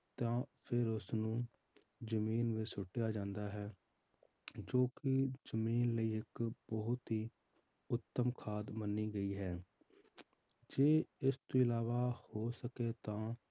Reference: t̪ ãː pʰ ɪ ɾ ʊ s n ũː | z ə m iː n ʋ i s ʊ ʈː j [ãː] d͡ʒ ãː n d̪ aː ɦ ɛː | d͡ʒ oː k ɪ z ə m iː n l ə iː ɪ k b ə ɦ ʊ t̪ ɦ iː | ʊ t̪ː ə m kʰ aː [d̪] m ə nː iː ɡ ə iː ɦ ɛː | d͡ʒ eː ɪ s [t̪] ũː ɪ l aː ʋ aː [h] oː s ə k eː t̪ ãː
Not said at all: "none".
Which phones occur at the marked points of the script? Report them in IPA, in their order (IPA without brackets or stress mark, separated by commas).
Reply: aː, d̪, t̪, h